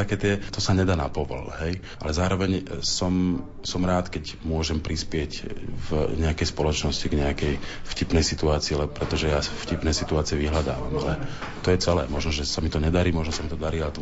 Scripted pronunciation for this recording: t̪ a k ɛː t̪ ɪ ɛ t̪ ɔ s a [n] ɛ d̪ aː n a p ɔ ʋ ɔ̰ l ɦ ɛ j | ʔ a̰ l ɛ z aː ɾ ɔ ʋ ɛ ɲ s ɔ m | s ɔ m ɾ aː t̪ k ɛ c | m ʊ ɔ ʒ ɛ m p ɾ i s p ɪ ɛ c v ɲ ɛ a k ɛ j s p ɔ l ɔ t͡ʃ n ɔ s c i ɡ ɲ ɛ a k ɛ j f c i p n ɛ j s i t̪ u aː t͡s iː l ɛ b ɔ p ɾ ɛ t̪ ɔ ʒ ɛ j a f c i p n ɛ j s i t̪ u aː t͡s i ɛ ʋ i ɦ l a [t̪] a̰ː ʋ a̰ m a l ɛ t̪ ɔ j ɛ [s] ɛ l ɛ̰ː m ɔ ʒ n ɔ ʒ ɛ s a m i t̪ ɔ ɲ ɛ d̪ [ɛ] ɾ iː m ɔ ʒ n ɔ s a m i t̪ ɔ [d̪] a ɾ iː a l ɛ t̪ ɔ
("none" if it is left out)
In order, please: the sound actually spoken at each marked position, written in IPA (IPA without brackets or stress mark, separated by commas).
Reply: ɲ, d̪, t͡s, a, d̪